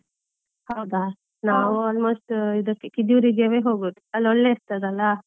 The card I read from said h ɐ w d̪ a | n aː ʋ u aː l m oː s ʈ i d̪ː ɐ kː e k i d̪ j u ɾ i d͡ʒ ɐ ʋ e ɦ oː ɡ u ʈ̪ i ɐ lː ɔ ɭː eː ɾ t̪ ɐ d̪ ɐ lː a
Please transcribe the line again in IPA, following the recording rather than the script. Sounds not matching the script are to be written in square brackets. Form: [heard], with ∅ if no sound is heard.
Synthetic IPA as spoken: h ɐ w d̪ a | n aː ʋ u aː l m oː s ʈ i [d̪] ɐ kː e k i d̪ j u ɾ i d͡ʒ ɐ ʋ e ɦ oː ɡ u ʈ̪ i ɐ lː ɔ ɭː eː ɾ t̪ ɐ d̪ ɐ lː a